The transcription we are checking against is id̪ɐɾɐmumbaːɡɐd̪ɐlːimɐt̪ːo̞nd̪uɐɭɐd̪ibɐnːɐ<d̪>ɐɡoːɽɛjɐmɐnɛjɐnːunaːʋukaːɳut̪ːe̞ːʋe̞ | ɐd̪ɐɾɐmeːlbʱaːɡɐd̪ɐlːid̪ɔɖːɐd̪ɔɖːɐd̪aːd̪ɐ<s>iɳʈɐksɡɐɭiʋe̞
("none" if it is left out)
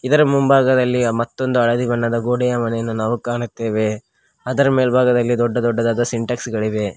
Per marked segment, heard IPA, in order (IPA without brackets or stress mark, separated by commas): d̪, s